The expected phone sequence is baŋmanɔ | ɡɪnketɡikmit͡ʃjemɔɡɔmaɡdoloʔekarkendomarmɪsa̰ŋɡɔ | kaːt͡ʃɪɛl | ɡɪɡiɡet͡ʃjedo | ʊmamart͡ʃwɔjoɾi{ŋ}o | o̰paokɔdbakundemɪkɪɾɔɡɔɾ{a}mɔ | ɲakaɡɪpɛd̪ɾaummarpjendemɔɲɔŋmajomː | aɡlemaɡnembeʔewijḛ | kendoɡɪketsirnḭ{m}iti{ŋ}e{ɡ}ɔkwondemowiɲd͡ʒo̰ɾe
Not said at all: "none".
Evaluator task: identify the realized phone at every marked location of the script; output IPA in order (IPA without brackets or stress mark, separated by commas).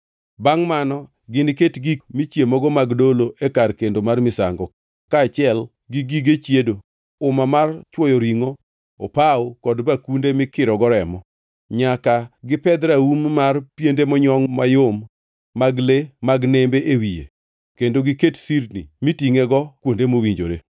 ŋ, ɛ, m, ŋ, ɡ